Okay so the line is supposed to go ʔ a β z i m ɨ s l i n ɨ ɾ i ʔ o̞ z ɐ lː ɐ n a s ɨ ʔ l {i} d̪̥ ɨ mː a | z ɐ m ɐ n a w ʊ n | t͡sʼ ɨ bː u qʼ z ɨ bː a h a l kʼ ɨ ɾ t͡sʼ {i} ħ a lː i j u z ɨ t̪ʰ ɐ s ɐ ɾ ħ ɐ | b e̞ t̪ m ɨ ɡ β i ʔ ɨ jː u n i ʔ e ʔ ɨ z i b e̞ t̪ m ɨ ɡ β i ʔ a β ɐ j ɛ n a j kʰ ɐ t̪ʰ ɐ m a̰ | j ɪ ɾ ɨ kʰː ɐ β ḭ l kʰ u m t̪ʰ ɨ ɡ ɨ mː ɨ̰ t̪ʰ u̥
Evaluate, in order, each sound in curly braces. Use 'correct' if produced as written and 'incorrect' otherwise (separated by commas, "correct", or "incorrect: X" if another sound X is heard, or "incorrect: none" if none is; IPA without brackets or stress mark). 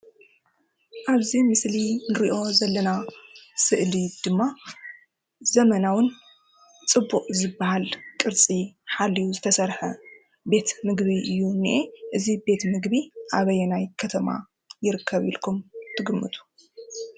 correct, correct